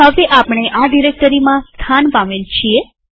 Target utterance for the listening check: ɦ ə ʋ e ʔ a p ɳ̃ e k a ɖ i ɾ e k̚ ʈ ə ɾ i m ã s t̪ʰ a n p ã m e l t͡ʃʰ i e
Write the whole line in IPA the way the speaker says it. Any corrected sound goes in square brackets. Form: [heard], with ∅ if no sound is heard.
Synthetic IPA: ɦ ə ʋ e ʔ a p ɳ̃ e [ʔ] a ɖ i ɾ e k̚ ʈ ə ɾ i m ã s t̪ʰ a n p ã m e l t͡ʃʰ i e